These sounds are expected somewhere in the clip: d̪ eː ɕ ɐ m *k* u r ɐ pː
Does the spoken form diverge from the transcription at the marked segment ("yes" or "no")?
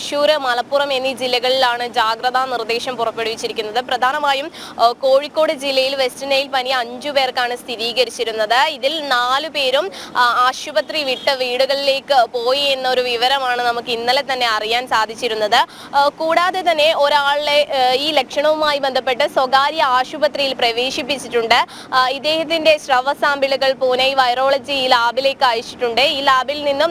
yes